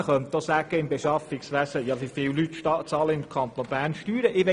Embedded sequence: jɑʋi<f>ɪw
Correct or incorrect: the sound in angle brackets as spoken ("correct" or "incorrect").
correct